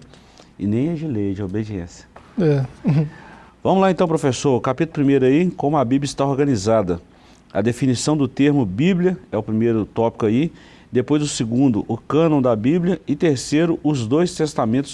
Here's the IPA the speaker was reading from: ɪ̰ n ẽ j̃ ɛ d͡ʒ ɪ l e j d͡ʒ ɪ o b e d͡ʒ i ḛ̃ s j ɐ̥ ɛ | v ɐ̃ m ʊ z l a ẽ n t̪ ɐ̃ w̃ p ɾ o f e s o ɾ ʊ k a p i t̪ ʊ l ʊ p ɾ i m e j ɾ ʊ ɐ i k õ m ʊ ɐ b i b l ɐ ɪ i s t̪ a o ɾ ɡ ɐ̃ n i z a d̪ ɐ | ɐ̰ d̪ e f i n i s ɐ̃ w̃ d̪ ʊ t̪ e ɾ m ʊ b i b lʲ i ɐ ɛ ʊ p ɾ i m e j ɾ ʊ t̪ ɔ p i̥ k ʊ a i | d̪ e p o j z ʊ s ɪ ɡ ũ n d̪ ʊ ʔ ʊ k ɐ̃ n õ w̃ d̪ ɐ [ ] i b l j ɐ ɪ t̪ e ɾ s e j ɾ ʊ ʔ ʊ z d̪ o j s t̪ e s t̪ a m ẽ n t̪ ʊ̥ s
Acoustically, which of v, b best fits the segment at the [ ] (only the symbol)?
b